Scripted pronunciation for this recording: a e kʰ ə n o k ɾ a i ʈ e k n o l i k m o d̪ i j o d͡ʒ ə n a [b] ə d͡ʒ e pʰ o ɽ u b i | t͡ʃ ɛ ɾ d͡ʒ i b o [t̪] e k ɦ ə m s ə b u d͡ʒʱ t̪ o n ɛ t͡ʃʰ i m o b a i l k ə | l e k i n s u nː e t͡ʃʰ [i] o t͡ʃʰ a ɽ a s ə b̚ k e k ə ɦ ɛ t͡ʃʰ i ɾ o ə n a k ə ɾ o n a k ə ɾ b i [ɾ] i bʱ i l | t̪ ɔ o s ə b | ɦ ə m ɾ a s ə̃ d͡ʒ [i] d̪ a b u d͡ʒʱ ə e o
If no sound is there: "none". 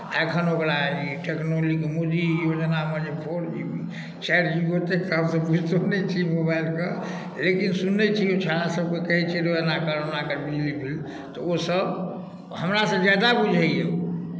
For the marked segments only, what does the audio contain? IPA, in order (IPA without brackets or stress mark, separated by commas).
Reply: m, t̪, i, l, a